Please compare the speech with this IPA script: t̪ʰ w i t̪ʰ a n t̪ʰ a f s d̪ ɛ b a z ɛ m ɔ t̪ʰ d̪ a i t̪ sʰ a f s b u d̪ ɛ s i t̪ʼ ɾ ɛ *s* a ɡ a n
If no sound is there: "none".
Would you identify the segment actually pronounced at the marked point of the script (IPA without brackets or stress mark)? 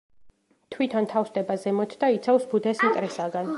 s